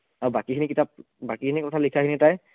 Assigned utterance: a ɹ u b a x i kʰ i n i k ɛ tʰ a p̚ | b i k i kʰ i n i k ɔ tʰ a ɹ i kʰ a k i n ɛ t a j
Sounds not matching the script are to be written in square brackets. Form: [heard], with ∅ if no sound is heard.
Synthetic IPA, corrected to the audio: a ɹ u b a [k] i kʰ i n i k [i] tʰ a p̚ | b [a] k i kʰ i n i k ɔ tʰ a [l] i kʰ a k i n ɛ t a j